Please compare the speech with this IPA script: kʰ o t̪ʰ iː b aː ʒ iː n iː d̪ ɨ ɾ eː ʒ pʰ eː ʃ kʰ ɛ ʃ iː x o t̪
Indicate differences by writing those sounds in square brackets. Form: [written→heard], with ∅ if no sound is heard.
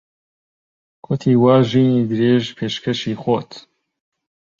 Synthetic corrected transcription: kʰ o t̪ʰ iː [b→w] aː ʒ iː n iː d̪ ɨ ɾ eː ʒ pʰ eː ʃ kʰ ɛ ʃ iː x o t̪